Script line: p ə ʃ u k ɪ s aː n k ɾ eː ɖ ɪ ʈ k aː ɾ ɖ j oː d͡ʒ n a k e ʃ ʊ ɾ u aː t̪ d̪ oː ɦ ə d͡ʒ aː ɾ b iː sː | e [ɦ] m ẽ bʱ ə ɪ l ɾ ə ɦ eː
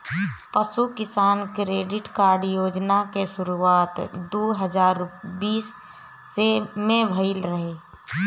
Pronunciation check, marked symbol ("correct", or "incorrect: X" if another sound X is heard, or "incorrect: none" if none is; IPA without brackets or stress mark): incorrect: none